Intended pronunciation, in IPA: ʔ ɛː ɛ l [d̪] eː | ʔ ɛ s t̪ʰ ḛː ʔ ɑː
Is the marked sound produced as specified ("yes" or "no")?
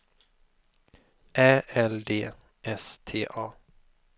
yes